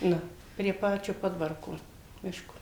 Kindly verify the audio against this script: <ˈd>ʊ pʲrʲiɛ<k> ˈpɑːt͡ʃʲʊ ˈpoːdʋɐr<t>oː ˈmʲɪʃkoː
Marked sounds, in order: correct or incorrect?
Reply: incorrect: n, incorrect: none, incorrect: k

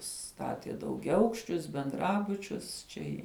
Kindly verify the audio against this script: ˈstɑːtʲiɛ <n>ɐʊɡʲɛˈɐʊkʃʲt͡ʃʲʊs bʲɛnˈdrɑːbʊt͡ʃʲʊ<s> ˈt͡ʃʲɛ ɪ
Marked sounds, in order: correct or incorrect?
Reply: incorrect: d, correct

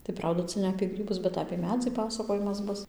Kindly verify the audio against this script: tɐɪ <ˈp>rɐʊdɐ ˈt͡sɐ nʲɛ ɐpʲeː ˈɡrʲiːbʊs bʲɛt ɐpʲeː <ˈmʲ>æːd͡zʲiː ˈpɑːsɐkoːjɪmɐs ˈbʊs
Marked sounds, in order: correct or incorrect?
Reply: correct, correct

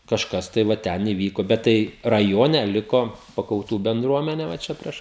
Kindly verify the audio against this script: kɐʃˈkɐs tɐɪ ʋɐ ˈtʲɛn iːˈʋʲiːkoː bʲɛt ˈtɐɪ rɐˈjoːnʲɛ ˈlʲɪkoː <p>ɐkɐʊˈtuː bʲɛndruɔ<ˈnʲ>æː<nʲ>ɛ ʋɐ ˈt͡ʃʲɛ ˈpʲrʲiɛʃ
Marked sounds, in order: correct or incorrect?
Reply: correct, incorrect: mʲ, correct

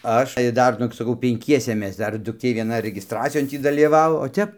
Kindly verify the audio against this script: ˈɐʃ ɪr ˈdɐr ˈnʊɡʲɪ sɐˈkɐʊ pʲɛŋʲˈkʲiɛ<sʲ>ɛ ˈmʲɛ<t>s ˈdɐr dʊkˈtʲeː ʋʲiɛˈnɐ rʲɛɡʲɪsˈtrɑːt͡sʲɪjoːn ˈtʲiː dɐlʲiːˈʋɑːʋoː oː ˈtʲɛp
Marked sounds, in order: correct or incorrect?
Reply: correct, incorrect: none

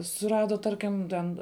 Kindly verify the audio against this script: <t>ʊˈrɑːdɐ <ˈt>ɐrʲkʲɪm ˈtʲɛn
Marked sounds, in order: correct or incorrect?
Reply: incorrect: s, correct

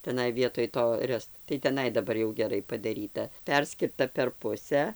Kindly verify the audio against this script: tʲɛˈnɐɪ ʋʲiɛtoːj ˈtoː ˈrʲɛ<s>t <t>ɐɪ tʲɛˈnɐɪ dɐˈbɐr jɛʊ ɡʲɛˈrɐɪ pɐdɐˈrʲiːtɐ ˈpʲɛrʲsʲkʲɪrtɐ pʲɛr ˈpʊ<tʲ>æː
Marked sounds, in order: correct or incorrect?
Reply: correct, correct, incorrect: sʲ

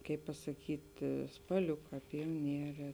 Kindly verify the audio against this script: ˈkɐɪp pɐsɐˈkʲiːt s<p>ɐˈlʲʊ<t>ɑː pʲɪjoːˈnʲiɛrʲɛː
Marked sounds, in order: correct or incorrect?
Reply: correct, incorrect: k

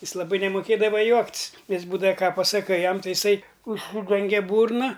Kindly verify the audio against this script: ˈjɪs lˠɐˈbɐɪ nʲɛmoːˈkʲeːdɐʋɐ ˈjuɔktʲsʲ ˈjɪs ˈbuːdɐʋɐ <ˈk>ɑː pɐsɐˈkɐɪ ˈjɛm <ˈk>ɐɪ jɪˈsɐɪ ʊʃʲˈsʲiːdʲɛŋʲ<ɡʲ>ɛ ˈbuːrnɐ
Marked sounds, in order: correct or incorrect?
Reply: correct, incorrect: t, correct

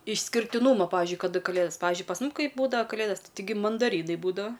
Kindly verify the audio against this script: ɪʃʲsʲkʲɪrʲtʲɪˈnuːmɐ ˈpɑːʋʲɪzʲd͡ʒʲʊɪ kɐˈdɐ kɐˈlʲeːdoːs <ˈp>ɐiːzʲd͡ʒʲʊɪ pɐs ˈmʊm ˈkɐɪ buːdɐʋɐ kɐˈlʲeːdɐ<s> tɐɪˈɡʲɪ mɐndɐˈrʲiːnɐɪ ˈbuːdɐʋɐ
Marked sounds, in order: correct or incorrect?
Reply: correct, correct

